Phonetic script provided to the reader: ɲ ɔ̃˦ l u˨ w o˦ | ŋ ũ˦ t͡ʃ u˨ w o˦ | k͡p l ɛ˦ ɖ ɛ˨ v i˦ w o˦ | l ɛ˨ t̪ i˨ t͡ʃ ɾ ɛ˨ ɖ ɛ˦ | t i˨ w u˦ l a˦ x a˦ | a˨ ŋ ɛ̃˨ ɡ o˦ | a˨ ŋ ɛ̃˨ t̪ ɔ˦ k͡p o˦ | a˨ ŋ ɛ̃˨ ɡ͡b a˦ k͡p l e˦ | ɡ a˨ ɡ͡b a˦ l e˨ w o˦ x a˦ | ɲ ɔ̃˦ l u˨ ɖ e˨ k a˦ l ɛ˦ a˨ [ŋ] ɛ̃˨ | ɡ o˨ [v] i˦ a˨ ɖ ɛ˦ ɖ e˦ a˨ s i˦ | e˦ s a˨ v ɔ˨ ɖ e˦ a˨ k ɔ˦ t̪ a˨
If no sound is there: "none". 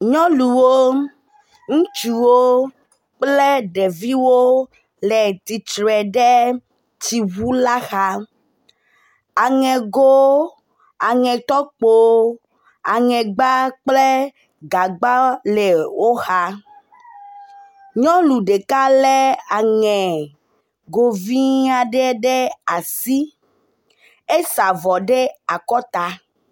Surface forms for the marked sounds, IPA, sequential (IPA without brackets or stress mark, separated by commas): ŋ, v